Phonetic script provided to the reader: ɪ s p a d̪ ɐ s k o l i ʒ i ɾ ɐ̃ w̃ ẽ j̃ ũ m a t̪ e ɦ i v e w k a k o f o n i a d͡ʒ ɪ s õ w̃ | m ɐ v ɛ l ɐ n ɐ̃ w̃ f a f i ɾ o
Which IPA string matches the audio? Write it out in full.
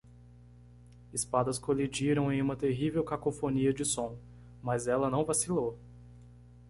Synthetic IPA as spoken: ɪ s p a d̪ ɐ s k o l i d͡ʒ i ɾ ɐ̃ w̃ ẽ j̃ ũ m ɐ t̪ e ɦ i v e w k a k o f o n i ɐ d͡ʒ ɪ s õ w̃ | m ɐ z ɛ l ɐ n ɐ̃ w̃ v a s i l o